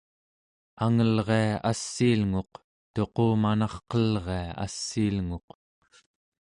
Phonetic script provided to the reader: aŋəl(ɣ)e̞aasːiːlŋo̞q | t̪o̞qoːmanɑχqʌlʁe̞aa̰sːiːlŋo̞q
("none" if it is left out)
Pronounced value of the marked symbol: ʁ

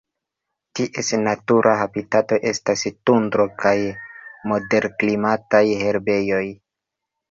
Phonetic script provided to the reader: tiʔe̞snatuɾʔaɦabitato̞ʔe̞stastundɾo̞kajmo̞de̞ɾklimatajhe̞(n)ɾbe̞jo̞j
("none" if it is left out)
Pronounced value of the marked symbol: none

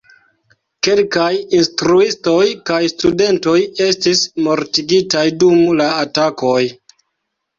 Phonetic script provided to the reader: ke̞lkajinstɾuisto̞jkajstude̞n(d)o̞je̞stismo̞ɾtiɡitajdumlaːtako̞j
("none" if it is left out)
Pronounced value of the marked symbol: t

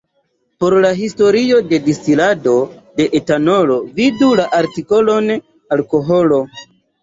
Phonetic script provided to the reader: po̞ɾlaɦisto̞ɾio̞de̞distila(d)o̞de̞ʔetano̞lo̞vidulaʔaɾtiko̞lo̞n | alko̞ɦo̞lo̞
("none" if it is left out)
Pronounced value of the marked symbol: d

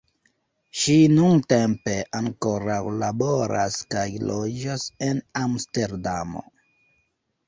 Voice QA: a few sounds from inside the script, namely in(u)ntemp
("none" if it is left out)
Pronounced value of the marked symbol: u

